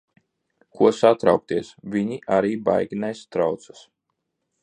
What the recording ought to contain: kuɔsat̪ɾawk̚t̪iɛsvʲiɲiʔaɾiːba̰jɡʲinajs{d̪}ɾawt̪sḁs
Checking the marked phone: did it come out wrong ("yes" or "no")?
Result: yes